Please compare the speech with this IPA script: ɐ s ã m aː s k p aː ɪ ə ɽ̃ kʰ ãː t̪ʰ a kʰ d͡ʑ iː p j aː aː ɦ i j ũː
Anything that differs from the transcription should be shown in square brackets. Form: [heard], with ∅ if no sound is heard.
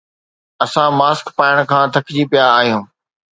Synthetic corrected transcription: ɐ s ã m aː s k p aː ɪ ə ɽ̃ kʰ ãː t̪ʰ [ɐ] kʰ d͡ʑ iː p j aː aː ɦ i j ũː